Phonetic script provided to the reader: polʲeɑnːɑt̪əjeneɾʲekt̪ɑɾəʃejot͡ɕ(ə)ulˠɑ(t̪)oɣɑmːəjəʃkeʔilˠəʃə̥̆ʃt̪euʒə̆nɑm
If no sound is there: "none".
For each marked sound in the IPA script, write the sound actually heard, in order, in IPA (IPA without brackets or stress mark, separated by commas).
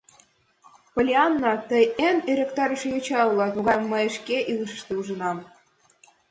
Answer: ɑ, t̪